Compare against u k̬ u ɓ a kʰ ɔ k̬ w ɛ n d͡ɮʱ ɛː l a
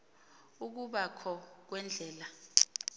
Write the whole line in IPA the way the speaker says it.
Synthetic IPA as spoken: u k̬ u ɓ a kʰ ɔ k̬ w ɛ n d͡ɮʱ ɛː l a